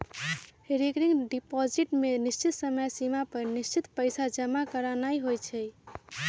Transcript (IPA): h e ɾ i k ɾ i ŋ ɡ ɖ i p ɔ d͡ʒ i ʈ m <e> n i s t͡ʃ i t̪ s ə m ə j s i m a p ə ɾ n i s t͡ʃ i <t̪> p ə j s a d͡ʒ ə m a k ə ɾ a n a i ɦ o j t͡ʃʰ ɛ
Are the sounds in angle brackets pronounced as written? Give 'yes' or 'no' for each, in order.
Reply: yes, yes

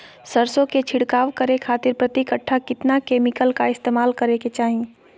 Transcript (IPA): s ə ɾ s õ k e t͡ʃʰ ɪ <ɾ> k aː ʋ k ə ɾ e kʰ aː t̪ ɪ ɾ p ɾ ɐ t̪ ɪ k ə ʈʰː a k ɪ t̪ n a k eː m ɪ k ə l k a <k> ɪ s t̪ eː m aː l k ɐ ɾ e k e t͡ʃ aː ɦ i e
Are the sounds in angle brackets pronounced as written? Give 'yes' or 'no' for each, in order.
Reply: no, no

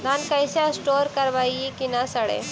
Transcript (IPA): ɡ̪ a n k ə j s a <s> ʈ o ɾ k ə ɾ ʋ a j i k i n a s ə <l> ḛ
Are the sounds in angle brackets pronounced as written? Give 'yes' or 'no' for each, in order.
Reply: yes, no

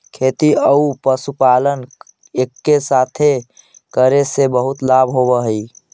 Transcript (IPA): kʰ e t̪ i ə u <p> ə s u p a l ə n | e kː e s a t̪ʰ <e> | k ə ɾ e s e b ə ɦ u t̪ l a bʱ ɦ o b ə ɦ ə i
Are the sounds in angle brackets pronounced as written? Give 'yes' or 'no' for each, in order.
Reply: yes, yes

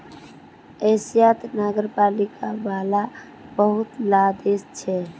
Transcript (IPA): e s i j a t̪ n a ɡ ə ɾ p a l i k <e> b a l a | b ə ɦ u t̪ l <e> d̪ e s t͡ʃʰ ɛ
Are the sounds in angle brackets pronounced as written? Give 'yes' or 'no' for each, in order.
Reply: no, no

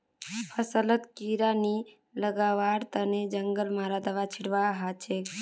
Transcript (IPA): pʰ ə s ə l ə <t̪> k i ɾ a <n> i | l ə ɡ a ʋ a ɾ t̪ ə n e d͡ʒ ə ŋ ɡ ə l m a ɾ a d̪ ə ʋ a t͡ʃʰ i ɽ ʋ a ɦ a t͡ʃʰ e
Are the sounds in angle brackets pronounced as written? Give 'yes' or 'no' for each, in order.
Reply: yes, yes

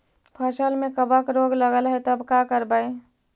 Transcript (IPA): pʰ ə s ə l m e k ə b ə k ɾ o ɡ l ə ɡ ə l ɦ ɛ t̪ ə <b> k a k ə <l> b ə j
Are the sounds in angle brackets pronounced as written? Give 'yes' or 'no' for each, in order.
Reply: yes, no

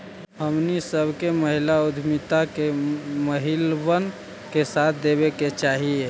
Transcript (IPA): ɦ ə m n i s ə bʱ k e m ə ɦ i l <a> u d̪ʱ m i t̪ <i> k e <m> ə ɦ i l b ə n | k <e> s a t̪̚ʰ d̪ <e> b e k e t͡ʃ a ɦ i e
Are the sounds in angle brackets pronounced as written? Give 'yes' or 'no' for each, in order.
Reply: yes, no, yes, yes, yes

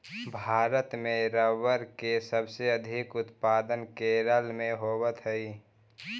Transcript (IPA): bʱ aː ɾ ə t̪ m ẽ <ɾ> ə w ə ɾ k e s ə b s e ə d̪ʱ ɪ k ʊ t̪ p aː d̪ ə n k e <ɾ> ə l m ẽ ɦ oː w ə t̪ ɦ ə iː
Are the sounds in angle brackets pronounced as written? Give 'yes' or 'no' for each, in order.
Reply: yes, yes

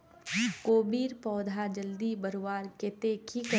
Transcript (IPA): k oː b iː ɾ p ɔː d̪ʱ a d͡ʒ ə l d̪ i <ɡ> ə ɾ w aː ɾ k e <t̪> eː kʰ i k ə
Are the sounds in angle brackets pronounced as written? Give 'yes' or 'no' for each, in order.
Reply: no, yes

